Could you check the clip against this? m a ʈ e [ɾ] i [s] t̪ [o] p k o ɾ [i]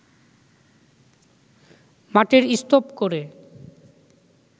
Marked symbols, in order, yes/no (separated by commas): yes, yes, yes, no